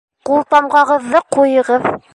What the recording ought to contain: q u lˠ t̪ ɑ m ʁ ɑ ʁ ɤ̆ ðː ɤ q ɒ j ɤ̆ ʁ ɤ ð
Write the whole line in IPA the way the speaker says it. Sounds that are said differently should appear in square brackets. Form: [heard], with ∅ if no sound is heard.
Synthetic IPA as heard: q u lˠ t̪ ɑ m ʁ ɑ ʁ ɤ̆ ðː ɤ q [u] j ɤ̆ ʁ ɤ ð